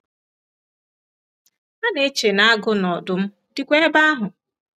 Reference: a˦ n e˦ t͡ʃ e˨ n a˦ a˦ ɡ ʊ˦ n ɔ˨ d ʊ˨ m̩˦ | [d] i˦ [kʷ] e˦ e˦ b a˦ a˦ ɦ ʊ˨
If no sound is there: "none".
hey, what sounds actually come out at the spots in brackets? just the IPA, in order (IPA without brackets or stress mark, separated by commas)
d, kʷ